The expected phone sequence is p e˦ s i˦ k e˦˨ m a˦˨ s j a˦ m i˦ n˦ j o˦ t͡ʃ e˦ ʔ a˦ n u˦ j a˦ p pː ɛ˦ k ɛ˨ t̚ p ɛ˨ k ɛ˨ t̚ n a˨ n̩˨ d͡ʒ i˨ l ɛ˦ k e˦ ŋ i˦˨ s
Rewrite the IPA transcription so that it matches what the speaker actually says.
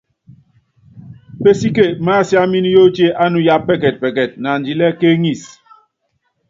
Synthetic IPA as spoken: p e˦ s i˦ k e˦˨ m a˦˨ s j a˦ m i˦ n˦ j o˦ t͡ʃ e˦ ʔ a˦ n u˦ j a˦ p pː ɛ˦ k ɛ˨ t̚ p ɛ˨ k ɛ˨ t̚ n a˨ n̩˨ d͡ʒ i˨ l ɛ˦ k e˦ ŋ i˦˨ s